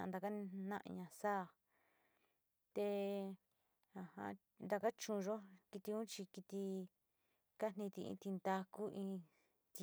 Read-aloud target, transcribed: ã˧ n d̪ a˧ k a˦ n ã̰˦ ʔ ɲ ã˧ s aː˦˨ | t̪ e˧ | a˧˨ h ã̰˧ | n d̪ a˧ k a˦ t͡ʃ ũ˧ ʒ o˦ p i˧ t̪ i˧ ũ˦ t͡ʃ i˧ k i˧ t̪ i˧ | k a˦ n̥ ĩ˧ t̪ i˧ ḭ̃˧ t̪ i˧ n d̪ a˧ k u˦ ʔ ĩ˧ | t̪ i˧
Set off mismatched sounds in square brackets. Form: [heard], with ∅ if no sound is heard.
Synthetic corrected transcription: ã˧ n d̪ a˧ k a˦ n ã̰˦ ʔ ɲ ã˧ s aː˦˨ | t̪ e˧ | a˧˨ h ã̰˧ | n d̪ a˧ k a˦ t͡ʃ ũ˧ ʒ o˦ [k] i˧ t̪ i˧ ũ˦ t͡ʃ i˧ k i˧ t̪ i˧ | k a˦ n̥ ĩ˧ t̪ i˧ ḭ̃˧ t̪ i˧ n d̪ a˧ k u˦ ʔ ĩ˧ | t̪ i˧

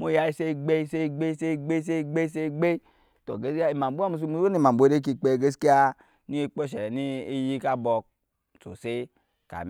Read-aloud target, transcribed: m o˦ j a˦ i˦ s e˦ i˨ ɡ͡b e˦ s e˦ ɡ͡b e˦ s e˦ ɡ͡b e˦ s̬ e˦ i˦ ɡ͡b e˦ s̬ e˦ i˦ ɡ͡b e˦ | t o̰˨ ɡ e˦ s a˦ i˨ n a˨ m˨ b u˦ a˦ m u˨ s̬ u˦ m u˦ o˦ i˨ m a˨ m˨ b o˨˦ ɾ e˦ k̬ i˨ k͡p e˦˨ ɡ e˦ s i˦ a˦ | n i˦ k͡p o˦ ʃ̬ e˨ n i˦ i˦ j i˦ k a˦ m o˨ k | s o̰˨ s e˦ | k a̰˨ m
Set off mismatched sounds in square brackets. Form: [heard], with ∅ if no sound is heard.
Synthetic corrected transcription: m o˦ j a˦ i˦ s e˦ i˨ ɡ͡b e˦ s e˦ ɡ͡b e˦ s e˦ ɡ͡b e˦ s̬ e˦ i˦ ɡ͡b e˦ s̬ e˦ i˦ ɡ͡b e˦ | t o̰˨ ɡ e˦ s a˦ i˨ [m] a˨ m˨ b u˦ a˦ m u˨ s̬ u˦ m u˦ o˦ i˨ m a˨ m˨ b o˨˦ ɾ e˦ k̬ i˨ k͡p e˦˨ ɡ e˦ s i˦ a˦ | n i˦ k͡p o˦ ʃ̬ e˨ n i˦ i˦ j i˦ k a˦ [b] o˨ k | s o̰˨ s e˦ | k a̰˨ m

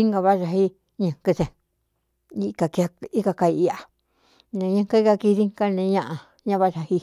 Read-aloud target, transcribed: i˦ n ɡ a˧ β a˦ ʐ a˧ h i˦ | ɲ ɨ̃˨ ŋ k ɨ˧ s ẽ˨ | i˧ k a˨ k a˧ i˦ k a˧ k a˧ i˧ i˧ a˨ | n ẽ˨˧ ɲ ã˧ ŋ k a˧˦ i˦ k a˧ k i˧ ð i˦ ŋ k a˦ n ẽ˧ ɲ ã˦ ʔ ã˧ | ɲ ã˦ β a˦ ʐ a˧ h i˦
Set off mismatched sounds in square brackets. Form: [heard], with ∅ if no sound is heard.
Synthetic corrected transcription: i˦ [ŋ] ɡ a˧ β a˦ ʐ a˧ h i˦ | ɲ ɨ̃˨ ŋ k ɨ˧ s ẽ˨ | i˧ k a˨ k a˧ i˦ k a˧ k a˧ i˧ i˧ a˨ | n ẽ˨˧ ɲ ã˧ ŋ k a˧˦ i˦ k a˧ k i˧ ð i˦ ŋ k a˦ n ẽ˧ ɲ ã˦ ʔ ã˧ | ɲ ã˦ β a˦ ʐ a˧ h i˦

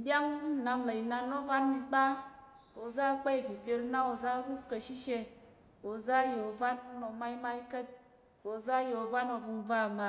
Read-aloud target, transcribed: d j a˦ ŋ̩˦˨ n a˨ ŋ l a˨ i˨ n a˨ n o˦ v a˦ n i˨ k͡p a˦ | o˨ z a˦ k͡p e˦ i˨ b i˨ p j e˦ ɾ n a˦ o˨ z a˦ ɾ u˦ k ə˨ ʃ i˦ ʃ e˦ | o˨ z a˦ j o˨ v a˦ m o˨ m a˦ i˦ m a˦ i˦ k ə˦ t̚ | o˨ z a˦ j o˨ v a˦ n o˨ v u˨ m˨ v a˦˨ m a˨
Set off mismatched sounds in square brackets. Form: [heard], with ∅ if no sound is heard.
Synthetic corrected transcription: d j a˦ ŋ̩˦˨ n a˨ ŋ l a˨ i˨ n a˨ n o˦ v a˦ n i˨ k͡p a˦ | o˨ z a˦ k͡p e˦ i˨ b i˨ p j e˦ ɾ n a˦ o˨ z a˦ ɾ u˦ k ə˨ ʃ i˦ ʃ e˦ | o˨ z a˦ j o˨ v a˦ [n] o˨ m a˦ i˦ m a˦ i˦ k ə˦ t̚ | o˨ z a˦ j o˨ v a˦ n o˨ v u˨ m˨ v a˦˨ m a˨

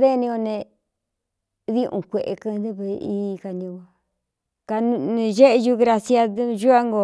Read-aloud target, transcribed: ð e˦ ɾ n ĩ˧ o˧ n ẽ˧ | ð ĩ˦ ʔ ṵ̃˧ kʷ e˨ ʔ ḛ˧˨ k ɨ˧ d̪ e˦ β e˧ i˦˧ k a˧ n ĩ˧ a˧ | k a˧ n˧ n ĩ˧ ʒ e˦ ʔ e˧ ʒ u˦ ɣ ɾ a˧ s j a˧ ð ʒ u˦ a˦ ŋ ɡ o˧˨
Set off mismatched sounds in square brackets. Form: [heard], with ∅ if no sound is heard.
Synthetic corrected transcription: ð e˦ [∅] n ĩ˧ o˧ n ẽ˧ | ð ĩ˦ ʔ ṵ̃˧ kʷ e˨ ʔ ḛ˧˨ k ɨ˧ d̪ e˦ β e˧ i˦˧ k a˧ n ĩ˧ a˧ | k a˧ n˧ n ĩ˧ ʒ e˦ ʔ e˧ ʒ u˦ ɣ ɾ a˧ s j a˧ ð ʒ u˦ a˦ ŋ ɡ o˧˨

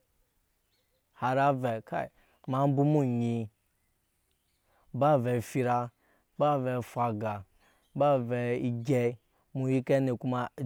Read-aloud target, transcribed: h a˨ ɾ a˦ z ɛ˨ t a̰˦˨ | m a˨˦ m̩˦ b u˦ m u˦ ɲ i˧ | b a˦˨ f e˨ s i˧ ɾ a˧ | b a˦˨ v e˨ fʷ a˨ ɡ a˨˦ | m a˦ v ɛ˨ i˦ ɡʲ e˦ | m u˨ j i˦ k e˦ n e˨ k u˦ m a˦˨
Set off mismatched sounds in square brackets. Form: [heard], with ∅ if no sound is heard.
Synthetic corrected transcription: h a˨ ɾ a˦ [v] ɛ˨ [k] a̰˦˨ | m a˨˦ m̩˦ b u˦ m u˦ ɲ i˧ | b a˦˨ [v] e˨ [f] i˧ ɾ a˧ | b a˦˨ v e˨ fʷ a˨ ɡ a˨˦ | [b] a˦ v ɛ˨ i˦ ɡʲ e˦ | m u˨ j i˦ k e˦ n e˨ k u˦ m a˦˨

